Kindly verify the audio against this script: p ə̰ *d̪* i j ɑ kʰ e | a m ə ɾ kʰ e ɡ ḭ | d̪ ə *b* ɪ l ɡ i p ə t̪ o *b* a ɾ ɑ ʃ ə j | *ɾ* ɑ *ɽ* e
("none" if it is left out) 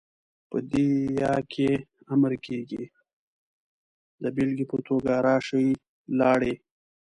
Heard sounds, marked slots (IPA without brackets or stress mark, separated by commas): d̪, b, ɡ, l, ɽ